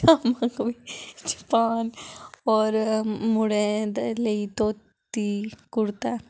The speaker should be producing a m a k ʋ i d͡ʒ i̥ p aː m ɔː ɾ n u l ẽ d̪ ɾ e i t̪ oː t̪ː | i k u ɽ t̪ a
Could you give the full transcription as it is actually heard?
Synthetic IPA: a m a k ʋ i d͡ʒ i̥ p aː n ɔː ɾ m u ɽ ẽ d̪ l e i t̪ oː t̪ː | i k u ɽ t̪ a